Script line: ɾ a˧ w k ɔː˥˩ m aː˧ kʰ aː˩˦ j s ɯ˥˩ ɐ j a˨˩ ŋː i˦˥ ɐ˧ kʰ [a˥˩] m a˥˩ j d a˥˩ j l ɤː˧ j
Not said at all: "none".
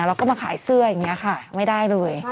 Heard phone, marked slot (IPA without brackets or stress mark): a˥˩